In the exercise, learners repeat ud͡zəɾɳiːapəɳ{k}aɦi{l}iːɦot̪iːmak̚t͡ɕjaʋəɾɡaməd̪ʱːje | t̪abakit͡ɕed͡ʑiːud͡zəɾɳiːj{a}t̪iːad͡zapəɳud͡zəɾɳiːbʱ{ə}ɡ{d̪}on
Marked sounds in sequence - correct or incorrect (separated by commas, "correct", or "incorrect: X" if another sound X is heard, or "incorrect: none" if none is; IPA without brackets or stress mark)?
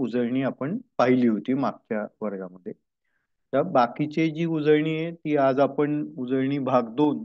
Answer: incorrect: p, correct, incorrect: e, incorrect: a, correct